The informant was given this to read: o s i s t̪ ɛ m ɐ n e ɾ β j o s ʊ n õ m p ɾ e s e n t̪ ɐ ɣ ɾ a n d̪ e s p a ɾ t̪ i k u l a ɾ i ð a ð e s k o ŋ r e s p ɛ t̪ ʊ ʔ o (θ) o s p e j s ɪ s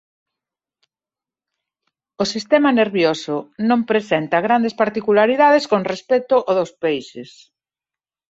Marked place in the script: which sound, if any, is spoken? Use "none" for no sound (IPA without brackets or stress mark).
ð